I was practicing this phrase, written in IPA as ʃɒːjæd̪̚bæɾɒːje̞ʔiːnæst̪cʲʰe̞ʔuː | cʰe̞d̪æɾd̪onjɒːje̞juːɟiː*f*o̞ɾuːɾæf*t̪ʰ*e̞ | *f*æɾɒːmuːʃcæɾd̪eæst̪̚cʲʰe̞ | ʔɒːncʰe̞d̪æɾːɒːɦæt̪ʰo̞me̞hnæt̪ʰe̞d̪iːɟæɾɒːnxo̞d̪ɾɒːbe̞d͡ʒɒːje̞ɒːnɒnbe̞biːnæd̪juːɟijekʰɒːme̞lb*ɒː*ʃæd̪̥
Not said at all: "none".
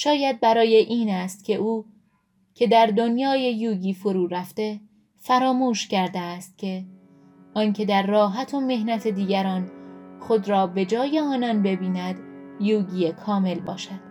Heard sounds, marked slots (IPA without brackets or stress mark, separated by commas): f, t̪, f, ɒː